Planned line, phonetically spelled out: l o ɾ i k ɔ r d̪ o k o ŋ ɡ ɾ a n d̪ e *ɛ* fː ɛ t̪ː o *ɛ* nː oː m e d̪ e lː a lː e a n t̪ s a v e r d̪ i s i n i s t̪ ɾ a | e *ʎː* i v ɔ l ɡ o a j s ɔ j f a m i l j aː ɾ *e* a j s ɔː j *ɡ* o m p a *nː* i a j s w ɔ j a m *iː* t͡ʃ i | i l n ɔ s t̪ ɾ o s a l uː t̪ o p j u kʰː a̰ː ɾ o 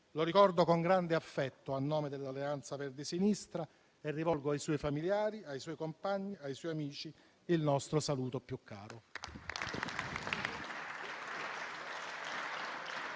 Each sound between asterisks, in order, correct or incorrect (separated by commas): incorrect, incorrect, incorrect, incorrect, incorrect, incorrect, correct